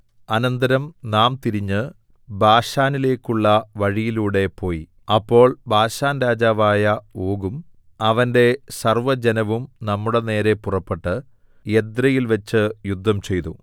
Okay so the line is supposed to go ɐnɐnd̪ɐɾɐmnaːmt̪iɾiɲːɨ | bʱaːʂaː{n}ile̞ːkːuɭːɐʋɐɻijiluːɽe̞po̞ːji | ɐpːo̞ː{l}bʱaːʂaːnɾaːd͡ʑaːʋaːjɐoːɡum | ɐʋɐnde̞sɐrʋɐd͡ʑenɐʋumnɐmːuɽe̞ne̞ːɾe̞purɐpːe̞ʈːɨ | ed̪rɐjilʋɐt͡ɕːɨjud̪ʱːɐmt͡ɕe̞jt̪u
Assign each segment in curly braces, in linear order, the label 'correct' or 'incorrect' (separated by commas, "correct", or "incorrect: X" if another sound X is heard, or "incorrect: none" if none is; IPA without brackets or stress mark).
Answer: correct, incorrect: ɭ